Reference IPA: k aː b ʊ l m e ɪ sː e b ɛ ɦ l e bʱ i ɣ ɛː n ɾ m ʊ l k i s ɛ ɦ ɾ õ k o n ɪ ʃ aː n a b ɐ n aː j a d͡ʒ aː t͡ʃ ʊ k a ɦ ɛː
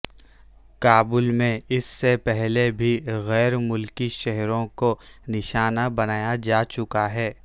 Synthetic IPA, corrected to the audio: k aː b ʊ l m ẽ ɪ sː e p ɛ ɦ l e bʱ i ɣ ɛː ɾ m ʊ l k i ʃ ɛ ɦ ɾ õ k o n ɪ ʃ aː n a b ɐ n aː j a d͡ʒ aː t͡ʃ ʊ k a ɦ ɛː